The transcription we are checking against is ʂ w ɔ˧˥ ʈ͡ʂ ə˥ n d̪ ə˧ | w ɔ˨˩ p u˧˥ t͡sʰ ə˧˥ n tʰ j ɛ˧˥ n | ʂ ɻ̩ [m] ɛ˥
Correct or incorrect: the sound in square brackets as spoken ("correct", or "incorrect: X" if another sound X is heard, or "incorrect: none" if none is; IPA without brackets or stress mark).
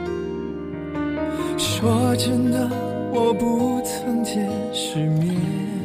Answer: correct